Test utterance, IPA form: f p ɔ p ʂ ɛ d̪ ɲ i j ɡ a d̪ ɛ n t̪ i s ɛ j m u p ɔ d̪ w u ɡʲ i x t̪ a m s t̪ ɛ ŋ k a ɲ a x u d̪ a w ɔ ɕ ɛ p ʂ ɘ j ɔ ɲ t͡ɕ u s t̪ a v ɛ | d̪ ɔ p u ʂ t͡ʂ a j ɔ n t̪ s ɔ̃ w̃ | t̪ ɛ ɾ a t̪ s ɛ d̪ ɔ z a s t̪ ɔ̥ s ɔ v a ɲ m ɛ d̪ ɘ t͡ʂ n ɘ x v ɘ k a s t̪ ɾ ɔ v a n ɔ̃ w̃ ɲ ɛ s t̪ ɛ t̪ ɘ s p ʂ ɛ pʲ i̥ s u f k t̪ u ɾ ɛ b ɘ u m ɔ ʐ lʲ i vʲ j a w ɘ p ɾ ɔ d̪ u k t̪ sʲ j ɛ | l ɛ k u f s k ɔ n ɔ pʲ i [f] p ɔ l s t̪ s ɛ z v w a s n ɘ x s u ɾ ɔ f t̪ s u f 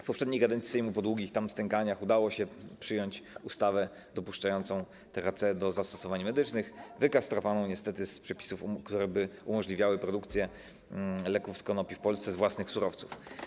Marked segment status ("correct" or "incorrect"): correct